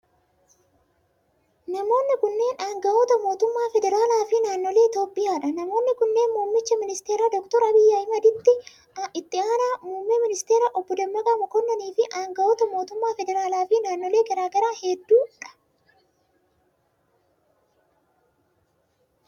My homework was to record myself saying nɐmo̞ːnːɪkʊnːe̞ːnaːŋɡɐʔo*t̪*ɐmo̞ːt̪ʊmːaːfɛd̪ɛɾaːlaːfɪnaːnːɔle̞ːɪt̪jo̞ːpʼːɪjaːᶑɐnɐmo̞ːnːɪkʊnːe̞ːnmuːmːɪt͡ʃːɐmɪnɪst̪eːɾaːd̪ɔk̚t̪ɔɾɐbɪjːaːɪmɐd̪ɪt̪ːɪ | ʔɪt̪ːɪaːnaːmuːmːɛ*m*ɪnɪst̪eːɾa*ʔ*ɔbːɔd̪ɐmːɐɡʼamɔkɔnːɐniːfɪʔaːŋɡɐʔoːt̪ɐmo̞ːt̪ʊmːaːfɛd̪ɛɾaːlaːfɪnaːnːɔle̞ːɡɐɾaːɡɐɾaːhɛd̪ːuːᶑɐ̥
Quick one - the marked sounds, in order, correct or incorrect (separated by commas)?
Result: correct, correct, correct